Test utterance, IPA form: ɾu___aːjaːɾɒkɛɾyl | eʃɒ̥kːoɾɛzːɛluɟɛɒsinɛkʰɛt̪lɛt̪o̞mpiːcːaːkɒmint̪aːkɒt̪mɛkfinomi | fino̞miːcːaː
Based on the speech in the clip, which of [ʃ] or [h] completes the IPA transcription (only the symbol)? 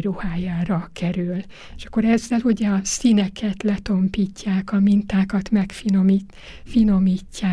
h